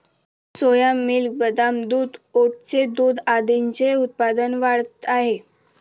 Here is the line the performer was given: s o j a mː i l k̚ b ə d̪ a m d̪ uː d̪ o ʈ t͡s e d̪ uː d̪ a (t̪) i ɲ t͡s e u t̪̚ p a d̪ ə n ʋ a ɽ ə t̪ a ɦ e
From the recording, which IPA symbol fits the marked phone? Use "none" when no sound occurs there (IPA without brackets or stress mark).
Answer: d̪